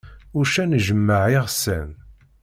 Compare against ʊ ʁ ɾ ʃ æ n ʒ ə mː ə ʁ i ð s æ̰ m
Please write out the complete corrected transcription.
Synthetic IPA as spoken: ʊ ɾ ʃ æ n ʒ ə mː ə ʕ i ʁ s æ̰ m